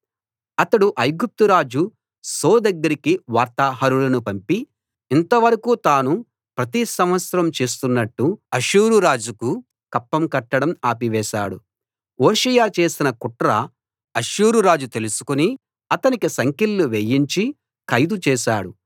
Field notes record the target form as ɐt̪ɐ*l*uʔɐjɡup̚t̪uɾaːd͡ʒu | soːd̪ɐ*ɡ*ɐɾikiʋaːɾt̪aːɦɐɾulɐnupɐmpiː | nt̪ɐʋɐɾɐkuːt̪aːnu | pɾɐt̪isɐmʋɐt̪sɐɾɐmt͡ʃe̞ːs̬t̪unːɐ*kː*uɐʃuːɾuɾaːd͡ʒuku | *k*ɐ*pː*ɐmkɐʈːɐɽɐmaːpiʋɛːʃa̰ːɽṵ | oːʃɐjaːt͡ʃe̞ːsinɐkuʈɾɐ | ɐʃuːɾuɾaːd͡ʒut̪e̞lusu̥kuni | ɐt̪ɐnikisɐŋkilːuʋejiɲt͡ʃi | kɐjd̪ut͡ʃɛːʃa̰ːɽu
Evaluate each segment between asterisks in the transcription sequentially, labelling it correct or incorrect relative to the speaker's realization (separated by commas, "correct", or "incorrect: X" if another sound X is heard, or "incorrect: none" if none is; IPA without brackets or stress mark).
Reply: incorrect: ɽ, incorrect: ɡː, incorrect: ʈː, correct, correct